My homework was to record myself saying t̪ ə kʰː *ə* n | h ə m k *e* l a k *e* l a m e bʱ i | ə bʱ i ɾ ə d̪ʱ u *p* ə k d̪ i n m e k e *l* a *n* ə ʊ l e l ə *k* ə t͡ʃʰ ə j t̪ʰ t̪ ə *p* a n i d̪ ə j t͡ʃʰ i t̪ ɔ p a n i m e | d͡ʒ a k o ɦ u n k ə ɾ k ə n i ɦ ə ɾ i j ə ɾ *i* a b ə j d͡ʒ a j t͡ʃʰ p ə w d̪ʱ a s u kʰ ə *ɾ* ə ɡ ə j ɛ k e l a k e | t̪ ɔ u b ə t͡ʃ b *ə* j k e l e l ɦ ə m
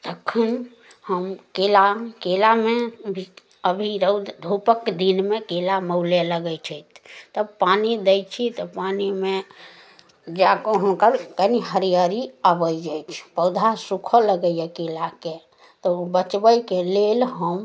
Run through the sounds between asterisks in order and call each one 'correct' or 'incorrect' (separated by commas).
correct, correct, correct, correct, correct, incorrect, incorrect, correct, correct, incorrect, correct